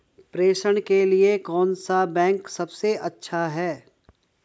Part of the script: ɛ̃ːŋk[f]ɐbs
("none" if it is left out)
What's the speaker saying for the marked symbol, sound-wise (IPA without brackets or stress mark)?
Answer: s